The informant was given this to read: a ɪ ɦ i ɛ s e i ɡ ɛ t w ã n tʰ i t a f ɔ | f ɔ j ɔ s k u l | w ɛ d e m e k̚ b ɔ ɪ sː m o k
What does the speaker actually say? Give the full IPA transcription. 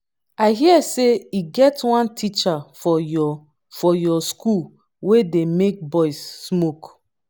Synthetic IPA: a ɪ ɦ i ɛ s e i ɡ ɛ t w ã n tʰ i t͡ʃ a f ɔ | f ɔ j ɔ s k u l | w e d e m e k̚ b ɔ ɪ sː m o k